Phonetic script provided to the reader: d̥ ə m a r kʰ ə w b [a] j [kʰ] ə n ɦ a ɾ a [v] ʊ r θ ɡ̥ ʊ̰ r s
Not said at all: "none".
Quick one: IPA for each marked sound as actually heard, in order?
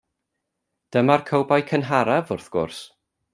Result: a, kʰ, v

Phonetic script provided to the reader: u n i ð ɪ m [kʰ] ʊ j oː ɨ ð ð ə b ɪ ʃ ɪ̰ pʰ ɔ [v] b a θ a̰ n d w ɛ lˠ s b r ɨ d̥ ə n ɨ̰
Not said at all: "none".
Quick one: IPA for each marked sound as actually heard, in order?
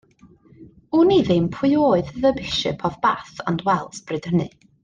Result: pʰ, v

